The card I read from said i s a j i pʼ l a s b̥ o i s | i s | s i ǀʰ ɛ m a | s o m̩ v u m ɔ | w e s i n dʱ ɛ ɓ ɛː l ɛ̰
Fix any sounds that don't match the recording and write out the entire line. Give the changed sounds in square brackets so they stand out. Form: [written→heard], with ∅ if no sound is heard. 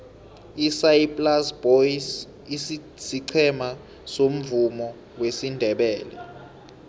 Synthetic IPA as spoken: i s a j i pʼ l a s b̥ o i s | i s | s i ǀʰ ɛ m a | s o m̩ v u m ɔ | w e s i n dʱ ɛ ɓ ɛː l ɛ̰